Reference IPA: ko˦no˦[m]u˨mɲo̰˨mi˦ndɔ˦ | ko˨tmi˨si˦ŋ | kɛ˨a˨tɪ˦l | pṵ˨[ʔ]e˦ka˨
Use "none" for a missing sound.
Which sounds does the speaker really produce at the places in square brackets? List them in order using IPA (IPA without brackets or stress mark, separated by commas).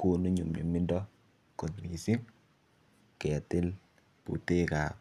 ɲ, t